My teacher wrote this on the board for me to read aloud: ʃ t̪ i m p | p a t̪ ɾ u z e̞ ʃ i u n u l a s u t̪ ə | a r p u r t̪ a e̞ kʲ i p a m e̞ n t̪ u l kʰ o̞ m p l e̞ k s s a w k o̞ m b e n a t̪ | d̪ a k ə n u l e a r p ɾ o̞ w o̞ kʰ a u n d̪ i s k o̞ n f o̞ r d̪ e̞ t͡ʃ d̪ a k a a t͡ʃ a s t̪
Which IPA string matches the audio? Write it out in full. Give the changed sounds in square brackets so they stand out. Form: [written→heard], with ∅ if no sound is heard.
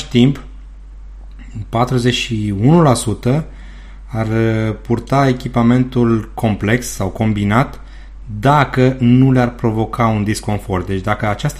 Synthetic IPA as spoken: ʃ t̪ i m p | p a t̪ ɾ u z e̞ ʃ i u n u l a s u t̪ ə | a r p u r t̪ a e̞ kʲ i p a m e̞ n t̪ u l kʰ o̞ m p l e̞ k s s a w k o̞ m b [e→i] n a t̪ | d̪ a k ə n u l e a r p ɾ o̞ [w→v] o̞ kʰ a u n d̪ i s k o̞ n f o̞ r d̪ e̞ t͡ʃ d̪ a k [a→ə] a t͡ʃ a s t̪